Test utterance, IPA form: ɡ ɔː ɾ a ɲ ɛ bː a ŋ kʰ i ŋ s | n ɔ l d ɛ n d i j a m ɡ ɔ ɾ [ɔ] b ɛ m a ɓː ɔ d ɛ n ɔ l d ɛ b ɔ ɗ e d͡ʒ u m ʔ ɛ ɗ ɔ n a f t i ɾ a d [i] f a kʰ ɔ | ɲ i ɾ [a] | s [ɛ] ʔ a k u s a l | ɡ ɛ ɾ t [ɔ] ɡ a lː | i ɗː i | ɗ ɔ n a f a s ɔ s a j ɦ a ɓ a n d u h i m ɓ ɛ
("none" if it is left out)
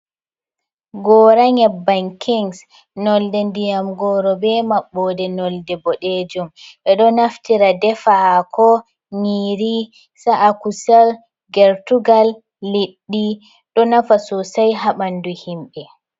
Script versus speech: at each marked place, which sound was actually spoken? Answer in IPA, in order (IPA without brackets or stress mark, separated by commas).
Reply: ɔ, ɛ, i, a, u